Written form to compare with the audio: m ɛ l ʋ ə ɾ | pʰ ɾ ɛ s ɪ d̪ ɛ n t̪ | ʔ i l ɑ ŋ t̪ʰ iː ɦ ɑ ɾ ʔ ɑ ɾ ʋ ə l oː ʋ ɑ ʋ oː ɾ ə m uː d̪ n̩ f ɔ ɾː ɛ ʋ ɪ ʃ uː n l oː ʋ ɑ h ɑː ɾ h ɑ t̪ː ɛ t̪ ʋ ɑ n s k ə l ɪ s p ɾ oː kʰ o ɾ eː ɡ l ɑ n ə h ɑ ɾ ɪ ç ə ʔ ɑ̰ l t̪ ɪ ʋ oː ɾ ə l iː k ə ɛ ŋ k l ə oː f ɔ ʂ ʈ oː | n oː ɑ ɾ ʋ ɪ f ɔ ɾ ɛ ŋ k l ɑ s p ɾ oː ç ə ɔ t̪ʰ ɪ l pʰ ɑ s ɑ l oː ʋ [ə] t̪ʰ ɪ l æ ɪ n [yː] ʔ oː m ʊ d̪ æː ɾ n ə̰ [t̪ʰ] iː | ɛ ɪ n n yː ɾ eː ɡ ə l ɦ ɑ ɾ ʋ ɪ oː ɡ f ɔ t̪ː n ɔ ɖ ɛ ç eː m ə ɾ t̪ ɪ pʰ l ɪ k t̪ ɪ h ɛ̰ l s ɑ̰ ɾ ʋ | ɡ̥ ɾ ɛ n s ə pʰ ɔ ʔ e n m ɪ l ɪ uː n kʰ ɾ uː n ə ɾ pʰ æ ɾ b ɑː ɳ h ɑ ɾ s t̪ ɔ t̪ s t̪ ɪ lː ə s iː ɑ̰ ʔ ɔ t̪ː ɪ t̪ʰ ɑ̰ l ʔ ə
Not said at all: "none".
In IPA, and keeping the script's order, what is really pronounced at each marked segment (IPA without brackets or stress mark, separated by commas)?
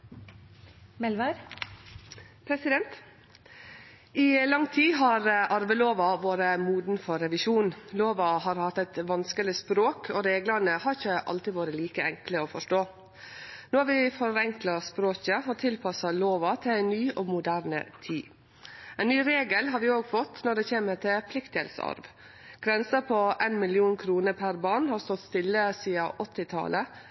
ɑ, yː, t̪ʰ